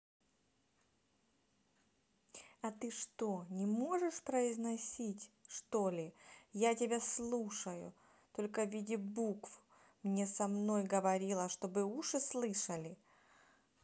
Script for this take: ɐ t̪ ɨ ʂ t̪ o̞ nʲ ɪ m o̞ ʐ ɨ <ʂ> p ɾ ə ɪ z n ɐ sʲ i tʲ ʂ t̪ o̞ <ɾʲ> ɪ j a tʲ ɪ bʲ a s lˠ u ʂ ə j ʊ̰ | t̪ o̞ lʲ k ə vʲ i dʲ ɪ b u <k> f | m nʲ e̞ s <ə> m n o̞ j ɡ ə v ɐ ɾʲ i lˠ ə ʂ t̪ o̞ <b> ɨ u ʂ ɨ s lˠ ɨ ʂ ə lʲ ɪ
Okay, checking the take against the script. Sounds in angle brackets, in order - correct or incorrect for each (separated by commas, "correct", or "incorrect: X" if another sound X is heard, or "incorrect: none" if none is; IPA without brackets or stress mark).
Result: correct, incorrect: lʲ, correct, incorrect: ɐ, correct